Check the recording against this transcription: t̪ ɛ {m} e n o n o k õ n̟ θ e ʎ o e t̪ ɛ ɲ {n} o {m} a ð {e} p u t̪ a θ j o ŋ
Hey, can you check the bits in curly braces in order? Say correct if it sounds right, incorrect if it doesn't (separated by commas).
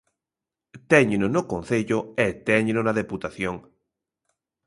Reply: incorrect, correct, incorrect, correct